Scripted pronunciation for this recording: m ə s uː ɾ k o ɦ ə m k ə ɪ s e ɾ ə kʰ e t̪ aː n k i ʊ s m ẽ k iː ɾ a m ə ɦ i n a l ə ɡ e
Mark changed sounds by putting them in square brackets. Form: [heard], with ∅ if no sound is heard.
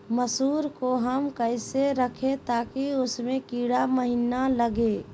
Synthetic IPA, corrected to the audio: m ə s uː ɾ k o ɦ ə m k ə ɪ s e ɾ ə kʰ e t̪ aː [∅] k i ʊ s m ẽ k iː [ɽ] a m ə ɦ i n a l ə ɡ e